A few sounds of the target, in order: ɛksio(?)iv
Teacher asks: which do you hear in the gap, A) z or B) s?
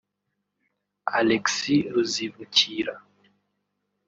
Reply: A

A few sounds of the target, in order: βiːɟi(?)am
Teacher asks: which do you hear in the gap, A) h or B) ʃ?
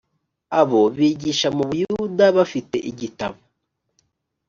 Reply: B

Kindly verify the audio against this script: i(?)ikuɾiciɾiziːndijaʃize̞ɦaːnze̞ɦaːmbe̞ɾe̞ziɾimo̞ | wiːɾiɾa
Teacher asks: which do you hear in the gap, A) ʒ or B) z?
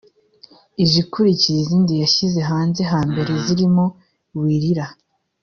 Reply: A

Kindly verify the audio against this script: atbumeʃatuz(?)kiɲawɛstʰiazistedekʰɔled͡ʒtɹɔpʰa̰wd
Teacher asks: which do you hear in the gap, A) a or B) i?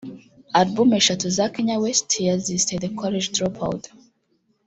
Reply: A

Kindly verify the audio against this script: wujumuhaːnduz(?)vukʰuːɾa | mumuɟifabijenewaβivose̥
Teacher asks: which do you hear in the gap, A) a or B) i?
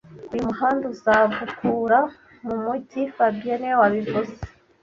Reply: A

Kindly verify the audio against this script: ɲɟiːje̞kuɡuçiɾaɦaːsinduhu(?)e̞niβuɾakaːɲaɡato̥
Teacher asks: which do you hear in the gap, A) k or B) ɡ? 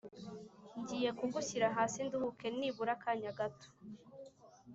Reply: A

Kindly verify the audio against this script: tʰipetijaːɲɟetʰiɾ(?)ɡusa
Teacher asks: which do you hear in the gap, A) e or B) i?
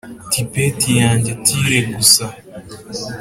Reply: A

